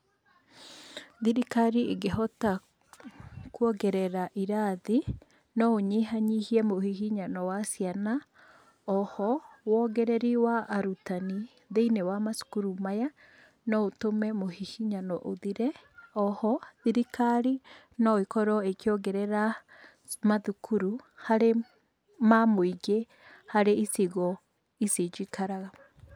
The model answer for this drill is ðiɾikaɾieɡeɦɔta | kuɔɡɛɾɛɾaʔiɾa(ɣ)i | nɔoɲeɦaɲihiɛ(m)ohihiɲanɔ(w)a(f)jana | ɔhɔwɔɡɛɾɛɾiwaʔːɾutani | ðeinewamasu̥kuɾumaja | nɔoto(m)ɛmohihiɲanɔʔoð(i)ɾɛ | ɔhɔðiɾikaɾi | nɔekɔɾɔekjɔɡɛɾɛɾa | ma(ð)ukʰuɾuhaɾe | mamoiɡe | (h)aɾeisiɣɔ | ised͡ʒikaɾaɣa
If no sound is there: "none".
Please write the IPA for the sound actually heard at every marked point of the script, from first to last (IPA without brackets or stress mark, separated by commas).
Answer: ð, m, w, s, m, i, ð, h